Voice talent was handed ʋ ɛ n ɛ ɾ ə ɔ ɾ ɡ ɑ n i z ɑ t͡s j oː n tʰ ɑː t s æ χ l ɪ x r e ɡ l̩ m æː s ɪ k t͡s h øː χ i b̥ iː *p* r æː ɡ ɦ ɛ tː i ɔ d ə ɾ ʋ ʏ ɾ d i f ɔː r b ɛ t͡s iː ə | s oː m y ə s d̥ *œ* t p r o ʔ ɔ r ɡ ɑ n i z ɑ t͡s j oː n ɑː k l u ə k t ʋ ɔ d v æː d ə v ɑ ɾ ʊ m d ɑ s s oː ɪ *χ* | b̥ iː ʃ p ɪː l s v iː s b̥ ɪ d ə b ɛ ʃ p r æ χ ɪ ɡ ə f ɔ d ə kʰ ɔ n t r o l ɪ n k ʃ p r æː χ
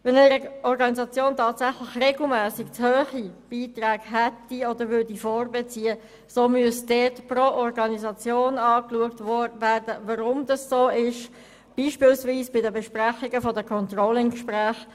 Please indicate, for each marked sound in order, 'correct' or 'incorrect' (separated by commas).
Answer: incorrect, incorrect, incorrect